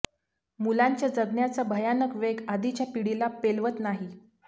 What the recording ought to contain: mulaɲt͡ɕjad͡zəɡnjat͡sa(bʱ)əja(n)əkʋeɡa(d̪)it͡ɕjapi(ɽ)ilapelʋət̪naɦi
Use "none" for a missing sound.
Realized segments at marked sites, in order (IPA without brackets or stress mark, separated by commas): bʱ, n, d̪, ɽ